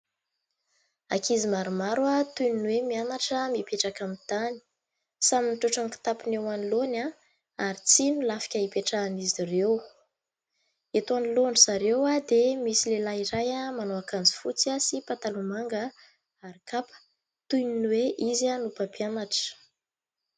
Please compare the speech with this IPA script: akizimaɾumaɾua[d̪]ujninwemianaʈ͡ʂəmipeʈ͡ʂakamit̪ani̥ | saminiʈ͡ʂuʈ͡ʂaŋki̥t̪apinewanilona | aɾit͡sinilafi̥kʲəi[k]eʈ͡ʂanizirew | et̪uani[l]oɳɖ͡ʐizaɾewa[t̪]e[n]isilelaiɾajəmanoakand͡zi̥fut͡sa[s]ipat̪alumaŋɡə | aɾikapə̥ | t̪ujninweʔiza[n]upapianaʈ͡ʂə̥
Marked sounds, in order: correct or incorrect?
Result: incorrect, incorrect, correct, incorrect, incorrect, correct, correct

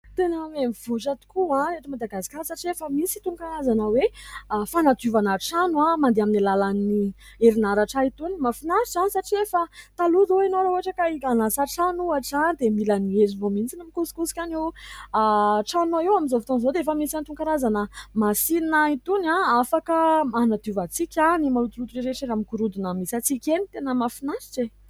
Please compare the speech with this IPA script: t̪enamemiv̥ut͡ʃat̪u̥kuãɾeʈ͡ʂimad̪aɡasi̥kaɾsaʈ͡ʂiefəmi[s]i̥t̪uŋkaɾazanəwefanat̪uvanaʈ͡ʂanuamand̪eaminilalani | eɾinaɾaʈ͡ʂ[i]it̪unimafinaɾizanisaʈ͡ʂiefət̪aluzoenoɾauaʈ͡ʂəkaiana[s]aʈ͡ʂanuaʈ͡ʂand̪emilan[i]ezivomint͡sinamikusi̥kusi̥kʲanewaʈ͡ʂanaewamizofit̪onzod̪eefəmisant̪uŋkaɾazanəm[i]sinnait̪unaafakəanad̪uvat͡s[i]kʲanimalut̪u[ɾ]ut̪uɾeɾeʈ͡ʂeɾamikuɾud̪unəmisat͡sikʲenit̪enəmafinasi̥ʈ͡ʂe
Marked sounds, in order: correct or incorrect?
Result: correct, incorrect, correct, correct, incorrect, correct, incorrect

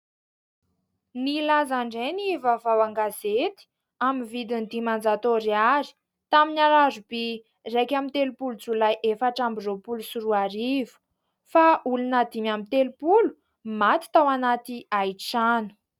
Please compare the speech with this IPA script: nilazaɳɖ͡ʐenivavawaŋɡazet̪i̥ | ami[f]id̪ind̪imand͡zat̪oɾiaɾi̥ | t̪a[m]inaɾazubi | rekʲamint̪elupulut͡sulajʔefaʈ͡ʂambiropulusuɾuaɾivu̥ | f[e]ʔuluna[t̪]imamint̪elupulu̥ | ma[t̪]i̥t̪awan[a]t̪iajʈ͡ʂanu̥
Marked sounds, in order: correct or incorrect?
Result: incorrect, correct, incorrect, incorrect, correct, correct

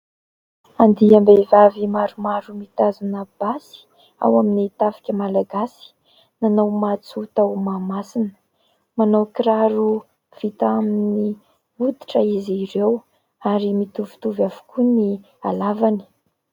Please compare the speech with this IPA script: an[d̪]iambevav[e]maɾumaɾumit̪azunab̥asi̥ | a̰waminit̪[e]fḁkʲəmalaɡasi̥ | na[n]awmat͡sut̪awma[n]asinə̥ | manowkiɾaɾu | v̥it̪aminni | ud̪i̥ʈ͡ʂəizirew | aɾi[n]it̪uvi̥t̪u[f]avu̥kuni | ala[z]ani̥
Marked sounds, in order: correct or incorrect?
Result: correct, incorrect, incorrect, correct, incorrect, incorrect, incorrect, incorrect

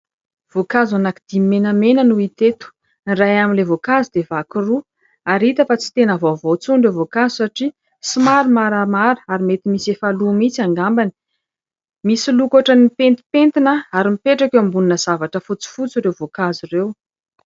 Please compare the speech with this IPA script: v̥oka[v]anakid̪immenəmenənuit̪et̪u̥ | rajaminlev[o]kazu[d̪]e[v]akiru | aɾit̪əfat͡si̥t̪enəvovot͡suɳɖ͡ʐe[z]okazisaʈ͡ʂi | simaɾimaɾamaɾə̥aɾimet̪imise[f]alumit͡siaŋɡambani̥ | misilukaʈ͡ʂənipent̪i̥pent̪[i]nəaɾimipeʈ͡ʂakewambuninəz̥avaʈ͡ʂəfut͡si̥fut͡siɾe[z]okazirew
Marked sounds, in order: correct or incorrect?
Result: incorrect, correct, correct, correct, incorrect, correct, correct, incorrect

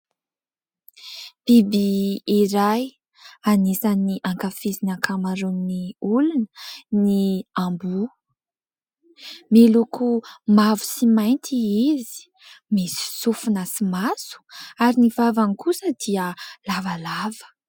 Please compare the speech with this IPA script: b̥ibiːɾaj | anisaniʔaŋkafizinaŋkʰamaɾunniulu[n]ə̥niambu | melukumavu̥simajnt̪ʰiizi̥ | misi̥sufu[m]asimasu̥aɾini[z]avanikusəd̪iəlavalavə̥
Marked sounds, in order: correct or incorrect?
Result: correct, incorrect, incorrect

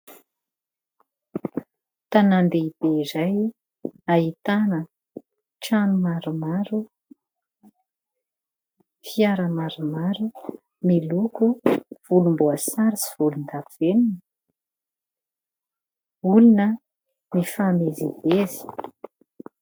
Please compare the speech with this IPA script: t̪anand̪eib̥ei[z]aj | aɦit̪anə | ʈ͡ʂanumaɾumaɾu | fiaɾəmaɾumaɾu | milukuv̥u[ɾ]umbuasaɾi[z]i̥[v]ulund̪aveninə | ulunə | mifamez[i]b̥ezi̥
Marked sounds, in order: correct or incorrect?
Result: correct, incorrect, incorrect, correct, correct

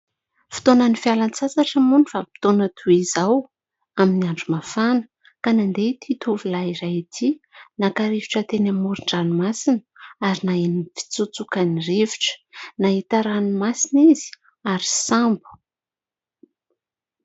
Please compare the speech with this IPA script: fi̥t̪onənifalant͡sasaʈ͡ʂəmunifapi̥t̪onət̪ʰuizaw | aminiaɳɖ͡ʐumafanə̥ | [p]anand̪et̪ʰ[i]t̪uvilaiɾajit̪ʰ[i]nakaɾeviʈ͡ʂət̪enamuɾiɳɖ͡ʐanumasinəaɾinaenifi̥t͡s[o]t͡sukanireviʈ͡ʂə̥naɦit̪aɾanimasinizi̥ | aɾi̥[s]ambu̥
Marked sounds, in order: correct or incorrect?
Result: incorrect, correct, correct, incorrect, correct

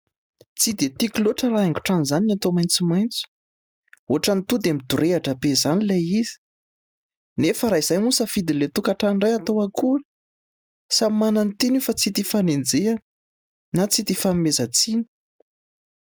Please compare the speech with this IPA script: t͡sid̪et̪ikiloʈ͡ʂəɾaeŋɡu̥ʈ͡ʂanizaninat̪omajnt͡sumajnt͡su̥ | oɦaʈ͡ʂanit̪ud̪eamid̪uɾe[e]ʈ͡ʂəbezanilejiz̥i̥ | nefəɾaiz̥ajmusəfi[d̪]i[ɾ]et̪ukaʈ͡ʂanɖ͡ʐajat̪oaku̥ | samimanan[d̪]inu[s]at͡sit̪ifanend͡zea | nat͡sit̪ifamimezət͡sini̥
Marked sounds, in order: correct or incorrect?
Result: incorrect, correct, incorrect, incorrect, incorrect

